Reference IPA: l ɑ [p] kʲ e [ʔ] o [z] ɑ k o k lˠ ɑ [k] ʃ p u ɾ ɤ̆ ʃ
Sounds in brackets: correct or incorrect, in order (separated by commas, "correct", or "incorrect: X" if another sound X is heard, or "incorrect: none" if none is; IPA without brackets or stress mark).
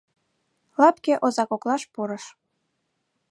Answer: correct, correct, correct, incorrect: none